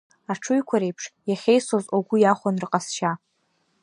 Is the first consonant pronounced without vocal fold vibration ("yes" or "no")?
yes